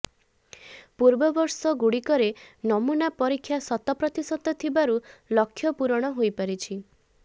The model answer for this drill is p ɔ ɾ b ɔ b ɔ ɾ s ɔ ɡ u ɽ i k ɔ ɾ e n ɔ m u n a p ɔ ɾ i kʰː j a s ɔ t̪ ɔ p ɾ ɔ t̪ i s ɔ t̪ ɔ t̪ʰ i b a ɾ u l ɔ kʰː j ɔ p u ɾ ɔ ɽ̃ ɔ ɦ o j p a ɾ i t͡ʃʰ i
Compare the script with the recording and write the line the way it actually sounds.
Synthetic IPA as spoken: p u ɾ b ɔ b ɔ ɾ s ɔ ɡ u ɽ i k ɔ ɾ e n ɔ m u n a p ɔ ɾ i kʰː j a s ɔ t̪ ɔ p ɾ ɔ t̪ i s ɔ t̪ ɔ t̪ʰ i b a ɾ u l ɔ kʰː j ɔ p u ɾ ɔ ɽ̃ ɔ ɦ o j p a ɾ i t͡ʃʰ i